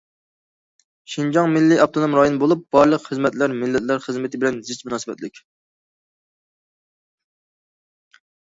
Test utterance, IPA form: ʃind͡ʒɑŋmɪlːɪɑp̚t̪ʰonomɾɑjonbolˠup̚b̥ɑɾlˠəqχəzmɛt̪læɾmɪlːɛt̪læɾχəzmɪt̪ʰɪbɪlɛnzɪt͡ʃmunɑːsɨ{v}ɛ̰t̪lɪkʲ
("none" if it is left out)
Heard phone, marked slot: b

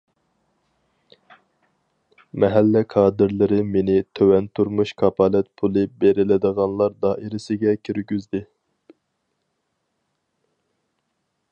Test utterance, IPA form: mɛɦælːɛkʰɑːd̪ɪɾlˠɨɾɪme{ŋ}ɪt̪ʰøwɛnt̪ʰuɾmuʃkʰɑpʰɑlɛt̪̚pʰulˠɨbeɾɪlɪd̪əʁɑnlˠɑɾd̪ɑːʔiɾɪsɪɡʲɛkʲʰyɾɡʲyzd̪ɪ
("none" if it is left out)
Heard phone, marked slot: n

